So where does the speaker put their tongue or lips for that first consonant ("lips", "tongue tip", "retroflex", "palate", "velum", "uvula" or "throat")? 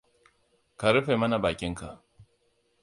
velum